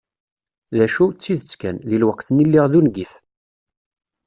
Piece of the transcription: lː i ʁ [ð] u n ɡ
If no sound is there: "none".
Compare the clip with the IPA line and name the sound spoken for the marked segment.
ð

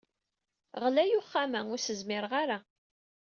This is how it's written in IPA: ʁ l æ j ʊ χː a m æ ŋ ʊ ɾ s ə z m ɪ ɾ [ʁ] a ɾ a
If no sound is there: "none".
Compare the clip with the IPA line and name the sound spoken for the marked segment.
ʁ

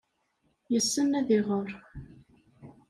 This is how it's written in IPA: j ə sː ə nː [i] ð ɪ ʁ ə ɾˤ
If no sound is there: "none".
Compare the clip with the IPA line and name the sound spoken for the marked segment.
æ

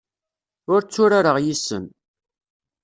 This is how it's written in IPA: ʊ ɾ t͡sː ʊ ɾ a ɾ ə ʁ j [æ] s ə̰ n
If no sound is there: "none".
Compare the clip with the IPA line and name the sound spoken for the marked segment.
i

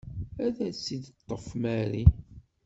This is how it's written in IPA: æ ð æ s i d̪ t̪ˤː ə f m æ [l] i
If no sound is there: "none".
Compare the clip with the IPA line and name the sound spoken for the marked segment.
ɾ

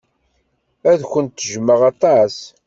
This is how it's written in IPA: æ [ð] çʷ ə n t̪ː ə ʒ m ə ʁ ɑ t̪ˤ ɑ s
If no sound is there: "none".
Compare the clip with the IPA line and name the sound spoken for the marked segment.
ð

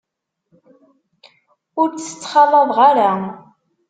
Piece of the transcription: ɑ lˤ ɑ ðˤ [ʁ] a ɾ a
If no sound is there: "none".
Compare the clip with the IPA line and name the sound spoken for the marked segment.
ʁ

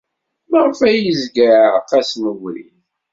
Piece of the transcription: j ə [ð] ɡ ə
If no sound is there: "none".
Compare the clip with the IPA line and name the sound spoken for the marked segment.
z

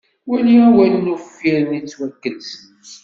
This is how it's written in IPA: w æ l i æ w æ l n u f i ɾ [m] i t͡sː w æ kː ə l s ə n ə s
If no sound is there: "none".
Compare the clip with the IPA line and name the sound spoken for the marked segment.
n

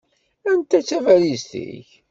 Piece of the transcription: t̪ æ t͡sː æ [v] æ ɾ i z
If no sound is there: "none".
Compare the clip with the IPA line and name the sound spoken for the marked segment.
v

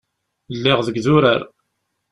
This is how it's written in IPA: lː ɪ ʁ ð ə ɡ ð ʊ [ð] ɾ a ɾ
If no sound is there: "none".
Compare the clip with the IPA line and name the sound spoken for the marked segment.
none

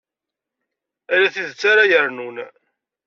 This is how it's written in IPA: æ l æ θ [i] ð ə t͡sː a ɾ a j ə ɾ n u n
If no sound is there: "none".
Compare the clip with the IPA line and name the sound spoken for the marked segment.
i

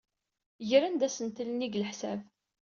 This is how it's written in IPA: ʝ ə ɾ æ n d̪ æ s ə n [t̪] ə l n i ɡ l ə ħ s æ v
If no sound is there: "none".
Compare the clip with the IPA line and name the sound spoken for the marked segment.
t̪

